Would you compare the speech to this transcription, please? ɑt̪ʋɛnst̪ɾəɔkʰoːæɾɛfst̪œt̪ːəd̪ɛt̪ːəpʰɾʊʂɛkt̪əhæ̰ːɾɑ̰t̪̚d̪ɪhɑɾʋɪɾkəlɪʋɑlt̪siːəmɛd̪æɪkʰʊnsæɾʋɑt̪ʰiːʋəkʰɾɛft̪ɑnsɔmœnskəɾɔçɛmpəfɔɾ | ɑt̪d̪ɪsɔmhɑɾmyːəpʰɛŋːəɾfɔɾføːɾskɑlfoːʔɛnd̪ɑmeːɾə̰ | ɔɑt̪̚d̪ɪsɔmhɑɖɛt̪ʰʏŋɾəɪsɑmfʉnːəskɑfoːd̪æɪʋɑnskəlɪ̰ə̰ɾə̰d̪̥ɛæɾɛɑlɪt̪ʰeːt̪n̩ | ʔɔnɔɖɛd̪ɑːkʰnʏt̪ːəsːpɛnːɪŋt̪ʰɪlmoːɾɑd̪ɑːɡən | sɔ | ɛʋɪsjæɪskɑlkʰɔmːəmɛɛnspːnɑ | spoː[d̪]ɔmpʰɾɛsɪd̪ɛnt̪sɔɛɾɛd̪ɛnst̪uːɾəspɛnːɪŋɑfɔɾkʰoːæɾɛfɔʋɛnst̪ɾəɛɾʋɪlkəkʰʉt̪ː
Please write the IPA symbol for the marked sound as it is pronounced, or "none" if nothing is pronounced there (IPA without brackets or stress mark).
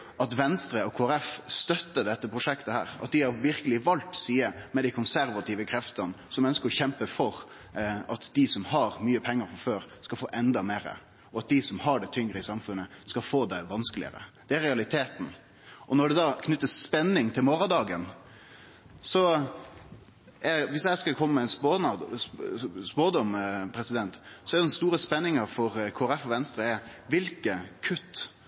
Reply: d̪